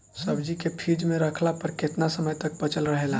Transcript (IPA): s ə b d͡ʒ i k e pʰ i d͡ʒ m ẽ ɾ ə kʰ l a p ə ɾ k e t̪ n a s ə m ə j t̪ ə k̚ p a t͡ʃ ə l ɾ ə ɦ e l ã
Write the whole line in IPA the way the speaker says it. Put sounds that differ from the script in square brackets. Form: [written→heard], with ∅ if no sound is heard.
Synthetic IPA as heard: s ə b d͡ʒ i k e pʰ i d͡ʒ m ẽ ɾ ə kʰ l a p ə ɾ k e t̪ n a s ə m ə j t̪ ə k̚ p [a→ə] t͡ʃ ə l ɾ ə ɦ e l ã